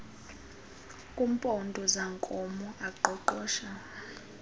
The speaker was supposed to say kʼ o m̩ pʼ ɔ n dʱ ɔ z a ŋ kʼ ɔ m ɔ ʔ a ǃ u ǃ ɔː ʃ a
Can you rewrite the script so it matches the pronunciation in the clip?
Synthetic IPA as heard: kʼ u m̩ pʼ ɔ n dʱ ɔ z a ŋ kʼ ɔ m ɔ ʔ a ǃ ɔ ǃ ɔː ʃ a